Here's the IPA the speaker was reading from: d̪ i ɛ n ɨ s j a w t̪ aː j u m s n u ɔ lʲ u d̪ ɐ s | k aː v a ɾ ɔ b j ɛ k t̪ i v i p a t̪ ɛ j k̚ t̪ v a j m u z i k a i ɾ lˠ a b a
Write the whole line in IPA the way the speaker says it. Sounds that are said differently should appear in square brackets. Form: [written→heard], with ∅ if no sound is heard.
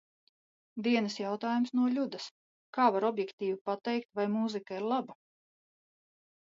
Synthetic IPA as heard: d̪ i ɛ n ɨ s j a w t̪ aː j u m s n u ɔ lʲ u d̪ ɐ s | k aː v a ɾ ɔ b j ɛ k t̪ [i→iː] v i p a t̪ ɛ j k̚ t̪ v a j m u z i k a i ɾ lˠ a b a

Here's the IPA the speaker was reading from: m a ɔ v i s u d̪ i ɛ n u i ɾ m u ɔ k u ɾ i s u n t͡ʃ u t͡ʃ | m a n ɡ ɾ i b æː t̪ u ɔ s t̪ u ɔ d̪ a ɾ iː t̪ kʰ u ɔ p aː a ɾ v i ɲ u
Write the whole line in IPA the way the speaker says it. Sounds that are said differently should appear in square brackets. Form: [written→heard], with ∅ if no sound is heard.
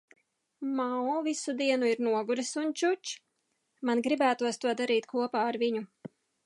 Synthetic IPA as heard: m a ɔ v i s u d̪ i ɛ n u i ɾ [m→n] u ɔ [k→ɡ] u ɾ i s u n t͡ʃ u t͡ʃ | m a n ɡ ɾ i b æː t̪ u ɔ s t̪ u ɔ d̪ a ɾ iː t̪ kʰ u ɔ p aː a ɾ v i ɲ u

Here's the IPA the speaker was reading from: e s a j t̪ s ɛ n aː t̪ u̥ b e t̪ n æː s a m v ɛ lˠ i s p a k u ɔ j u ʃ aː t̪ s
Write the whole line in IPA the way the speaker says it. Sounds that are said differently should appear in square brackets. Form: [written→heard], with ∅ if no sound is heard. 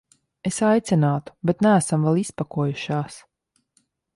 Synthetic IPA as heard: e s a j t̪ s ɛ n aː t̪ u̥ b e t̪ n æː s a m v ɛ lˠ i s p a k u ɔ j u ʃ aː [t̪→∅] s

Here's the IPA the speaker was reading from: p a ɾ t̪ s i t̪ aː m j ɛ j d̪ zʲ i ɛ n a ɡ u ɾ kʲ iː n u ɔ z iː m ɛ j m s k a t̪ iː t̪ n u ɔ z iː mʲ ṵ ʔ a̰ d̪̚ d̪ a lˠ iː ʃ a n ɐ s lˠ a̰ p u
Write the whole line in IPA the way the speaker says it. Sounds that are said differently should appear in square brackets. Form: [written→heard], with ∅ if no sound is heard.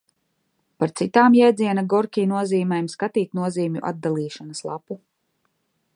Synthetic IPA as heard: p a ɾ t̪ s i t̪ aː m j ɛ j d̪ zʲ i ɛ n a ɡ [u→ɔ] ɾ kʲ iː n u ɔ z iː m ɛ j m s k a t̪ iː t̪ n u ɔ z iː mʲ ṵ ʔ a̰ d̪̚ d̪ a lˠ iː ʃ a n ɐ s lˠ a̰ p u

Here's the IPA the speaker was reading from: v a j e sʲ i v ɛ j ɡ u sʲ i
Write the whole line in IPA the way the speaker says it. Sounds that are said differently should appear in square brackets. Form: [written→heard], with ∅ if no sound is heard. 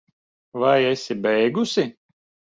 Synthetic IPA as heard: v a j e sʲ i [v→b] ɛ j ɡ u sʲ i

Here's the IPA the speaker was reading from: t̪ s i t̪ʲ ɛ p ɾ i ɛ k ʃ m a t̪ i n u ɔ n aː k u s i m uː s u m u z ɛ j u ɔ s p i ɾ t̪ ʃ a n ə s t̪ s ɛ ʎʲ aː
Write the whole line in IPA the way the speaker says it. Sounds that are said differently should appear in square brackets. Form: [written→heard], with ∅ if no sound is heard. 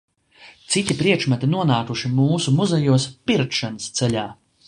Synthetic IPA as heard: t̪ s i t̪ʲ [ɛ→i] p ɾ i ɛ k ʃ m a t̪ i n u ɔ n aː k u [s→ʃ] i m uː s u m u z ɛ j u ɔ s p i ɾ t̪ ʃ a n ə s t̪ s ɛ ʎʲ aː

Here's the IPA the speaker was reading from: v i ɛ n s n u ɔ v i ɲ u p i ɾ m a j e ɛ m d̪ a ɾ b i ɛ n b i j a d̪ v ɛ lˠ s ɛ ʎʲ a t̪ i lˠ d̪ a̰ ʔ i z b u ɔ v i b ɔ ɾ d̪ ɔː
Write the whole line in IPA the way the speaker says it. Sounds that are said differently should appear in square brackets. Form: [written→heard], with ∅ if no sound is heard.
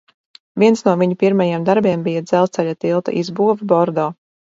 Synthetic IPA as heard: v i ɛ n s n u ɔ v i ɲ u p i ɾ m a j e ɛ m d̪ a ɾ b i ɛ [n→m] b i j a d̪ [v→z] ɛ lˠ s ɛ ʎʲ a t̪ i lˠ [d̪→t̪] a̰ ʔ i z b u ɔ v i b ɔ ɾ d̪ ɔː

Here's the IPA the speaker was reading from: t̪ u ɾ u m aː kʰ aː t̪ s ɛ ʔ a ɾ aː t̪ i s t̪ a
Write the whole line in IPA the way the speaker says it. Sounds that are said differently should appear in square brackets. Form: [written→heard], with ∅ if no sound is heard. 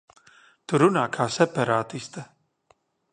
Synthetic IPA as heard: t̪ u ɾ u [m→n] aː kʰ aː [t̪→∅] s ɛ [ʔ→p] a ɾ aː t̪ i s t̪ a

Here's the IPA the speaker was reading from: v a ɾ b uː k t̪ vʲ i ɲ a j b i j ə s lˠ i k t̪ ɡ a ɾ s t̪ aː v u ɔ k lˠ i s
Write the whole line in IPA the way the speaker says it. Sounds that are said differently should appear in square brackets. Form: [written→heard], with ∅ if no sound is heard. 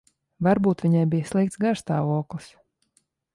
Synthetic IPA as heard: v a ɾ b uː [k→∅] t̪ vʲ i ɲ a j b i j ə s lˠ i k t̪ ɡ a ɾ s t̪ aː v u ɔ k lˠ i s

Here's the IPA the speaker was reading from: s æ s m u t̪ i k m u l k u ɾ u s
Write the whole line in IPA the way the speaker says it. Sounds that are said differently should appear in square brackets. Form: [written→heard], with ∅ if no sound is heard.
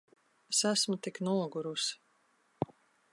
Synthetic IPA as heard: s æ s m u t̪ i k [m→n] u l [k→ɡ] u ɾ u s

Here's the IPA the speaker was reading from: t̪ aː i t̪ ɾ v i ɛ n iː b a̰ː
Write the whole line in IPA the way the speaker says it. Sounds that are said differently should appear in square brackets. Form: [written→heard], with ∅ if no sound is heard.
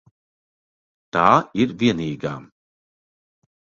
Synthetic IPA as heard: t̪ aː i [t̪→∅] ɾ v i ɛ n iː [b→ɡ] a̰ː

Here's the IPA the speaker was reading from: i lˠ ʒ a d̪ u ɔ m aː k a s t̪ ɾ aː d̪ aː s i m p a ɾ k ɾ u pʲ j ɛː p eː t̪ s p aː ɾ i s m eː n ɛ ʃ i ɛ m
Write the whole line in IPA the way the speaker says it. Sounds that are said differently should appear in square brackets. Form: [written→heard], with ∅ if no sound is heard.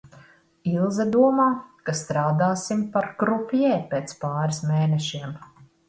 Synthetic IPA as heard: i lˠ [ʒ→z] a d̪ u ɔ m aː k a s t̪ ɾ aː d̪ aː s i m p a ɾ k ɾ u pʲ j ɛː p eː t̪ s p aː ɾ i s m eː n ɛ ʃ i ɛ m

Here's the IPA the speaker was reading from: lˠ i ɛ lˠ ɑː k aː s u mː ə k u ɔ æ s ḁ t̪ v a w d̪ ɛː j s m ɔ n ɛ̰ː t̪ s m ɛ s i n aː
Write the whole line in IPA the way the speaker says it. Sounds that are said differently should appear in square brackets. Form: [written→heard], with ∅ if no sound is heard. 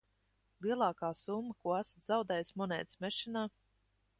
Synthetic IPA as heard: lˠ i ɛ lˠ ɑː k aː s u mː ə k u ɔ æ s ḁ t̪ [v→z] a w d̪ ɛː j s m ɔ n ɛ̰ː t̪ s m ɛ [s→ʃ] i n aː

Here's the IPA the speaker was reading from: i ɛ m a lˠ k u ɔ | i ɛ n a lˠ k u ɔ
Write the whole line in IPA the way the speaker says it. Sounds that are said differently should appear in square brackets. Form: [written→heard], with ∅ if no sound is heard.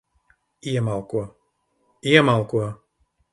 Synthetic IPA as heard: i ɛ m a lˠ k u ɔ | i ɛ [n→m] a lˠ k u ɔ

